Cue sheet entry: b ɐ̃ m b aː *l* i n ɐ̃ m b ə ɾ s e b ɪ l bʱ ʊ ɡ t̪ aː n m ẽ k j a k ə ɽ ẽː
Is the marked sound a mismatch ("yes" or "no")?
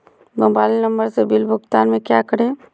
no